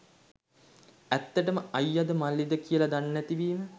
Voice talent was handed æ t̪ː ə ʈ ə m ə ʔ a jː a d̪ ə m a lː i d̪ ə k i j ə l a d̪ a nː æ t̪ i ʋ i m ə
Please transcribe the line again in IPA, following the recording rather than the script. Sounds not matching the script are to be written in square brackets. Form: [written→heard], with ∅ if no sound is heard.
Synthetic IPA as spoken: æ t̪ː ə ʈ ə m ə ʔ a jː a d̪ ə m a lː i d̪ ə k i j ə l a d̪ a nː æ t̪ i ʋ [i→iː] m ə

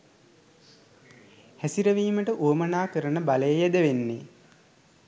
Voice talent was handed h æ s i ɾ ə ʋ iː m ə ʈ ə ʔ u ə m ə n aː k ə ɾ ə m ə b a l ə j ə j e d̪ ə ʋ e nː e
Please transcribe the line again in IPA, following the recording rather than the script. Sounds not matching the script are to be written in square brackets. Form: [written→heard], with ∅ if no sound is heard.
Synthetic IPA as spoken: h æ s i ɾ ə ʋ iː m ə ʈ ə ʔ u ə m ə n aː k ə ɾ ə [m→n] ə b a l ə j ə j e d̪ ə ʋ e nː e

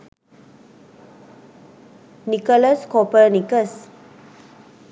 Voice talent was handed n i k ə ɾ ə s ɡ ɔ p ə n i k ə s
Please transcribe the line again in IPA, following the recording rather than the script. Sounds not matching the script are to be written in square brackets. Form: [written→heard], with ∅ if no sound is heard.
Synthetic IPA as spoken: n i k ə [ɾ→l] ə s [ɡ→k] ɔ p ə n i k ə s

